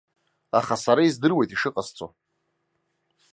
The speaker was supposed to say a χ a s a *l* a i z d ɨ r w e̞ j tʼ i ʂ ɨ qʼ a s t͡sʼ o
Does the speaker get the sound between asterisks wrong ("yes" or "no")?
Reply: yes